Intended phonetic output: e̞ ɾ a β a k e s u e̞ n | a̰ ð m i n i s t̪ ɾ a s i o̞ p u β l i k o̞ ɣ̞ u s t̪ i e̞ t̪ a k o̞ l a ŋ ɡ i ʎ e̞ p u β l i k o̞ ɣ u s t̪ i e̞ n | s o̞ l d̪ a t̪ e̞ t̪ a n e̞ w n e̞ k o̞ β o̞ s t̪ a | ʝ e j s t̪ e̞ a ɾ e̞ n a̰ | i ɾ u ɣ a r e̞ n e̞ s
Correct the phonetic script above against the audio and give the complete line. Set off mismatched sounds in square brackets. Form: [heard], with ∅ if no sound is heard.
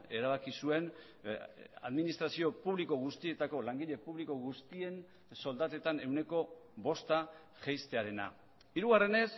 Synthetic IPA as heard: e̞ ɾ a β a k [i] s u e̞ n | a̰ ð m i n i s t̪ ɾ a s i o̞ p u β l i k o̞ ɣ̞ u s t̪ i e̞ t̪ a k o̞ l a ŋ ɡ i ʎ e̞ p u β l i k o̞ ɣ u s t̪ i e̞ n | s o̞ l d̪ a t̪ e̞ t̪ a n e̞ w n e̞ k o̞ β o̞ s t̪ a | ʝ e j s t̪ e̞ a ɾ e̞ n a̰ | i ɾ u ɣ a r e̞ n e̞ s